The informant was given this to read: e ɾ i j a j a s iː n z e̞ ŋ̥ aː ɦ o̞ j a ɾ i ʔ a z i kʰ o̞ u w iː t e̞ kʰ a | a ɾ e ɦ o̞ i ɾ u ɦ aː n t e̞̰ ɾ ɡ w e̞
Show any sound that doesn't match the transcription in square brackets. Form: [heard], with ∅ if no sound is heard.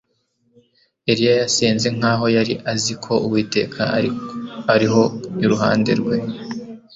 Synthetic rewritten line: e ɾ i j a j a s iː n z e̞ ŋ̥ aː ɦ o̞ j a ɾ i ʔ a z i kʰ o̞ u w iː t e̞ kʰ a | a ɾ [i] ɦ o̞ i ɾ u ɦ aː n [d] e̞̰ ɾ ɡ w e̞